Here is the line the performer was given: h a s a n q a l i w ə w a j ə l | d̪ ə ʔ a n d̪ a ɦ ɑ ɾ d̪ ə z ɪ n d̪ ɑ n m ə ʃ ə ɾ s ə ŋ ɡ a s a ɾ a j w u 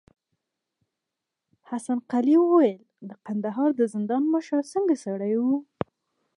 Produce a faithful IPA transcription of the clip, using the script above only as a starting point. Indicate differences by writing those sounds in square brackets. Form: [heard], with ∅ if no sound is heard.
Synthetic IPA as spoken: h a s a n q a l i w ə w a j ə l | d̪ ə [q] a n d̪ a ɦ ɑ ɾ d̪ ə z ɪ n d̪ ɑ n m ə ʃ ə ɾ s ə ŋ ɡ a s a [ɽ] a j w u